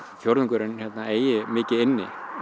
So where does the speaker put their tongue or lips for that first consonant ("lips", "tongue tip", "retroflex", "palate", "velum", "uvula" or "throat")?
lips